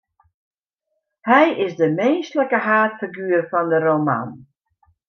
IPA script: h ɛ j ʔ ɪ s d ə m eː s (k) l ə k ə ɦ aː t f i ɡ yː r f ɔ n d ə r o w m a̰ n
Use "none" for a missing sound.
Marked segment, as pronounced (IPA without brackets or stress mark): t